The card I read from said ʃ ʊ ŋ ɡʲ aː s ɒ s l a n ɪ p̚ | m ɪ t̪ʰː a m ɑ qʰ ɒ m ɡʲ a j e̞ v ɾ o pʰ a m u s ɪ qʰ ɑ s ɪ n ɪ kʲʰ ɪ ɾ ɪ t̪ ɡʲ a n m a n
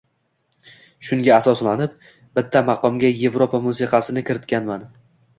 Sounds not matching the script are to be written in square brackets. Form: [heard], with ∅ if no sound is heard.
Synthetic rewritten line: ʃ ʊ ŋ ɡʲ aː s ɒ s l a n ɪ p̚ | [b] ɪ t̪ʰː a m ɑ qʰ ɒ m ɡʲ a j e̞ v ɾ o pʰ a m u s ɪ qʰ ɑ s ɪ n ɪ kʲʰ ɪ ɾ ɪ t̪ [kʲ] a n m a n